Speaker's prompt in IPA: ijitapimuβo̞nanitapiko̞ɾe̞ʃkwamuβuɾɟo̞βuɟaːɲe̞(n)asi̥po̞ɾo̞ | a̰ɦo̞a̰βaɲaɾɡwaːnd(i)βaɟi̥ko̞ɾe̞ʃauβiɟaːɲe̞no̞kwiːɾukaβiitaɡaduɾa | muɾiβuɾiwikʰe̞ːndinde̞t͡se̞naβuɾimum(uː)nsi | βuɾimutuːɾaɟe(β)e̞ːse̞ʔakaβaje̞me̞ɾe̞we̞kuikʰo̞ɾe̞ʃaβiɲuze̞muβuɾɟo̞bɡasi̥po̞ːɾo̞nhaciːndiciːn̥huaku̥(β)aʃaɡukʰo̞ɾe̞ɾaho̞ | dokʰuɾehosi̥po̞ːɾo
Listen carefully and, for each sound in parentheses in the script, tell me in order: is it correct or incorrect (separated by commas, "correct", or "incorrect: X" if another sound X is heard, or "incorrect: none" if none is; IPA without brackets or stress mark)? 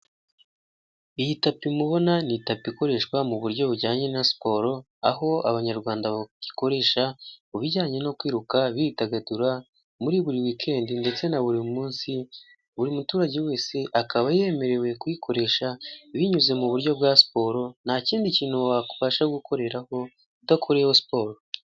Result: correct, incorrect: a, correct, incorrect: w, correct